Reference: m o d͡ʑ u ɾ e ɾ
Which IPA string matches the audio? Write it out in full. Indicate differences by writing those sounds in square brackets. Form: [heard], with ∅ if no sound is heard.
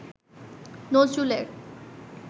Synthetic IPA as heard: [n] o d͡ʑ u [l] e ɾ